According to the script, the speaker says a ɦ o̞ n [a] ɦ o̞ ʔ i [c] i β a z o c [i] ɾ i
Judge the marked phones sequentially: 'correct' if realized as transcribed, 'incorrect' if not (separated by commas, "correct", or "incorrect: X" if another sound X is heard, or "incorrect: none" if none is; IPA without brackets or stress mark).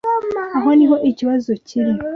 incorrect: i, correct, correct